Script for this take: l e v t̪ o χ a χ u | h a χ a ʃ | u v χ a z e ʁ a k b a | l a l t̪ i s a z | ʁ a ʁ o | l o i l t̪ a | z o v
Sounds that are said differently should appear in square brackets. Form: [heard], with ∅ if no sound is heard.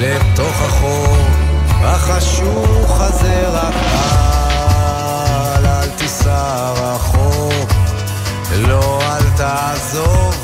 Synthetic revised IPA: l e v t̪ o χ a χ [o] | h a χ a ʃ | u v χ a z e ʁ a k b a | l a l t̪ i s a [∅] | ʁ a [χ] o | l o [a] l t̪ a | z o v